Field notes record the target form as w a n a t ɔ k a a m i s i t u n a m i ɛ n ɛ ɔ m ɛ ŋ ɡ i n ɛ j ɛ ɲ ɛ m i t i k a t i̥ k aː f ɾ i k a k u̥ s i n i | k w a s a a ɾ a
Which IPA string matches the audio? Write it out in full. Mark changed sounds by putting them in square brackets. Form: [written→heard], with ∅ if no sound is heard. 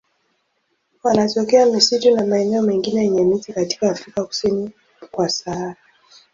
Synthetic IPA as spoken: w a n a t ɔ k [a→ɛ] a m i s i t u n a m [i→a] ɛ n ɛ ɔ m ɛ ŋ ɡ i n ɛ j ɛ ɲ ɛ m i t i k a t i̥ k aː f ɾ i k a k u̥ s i n i | k w a s a a ɾ a